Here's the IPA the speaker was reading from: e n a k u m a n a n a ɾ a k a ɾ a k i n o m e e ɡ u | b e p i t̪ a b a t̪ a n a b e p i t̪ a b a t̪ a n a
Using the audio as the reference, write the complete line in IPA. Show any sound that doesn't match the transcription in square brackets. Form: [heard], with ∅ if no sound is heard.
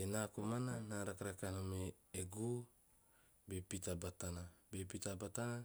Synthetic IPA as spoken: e n a k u m a n a n a ɾ a k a ɾ a k [a] n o m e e ɡ u | b e p i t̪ a b a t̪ a n a b e p i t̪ a b a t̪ a n a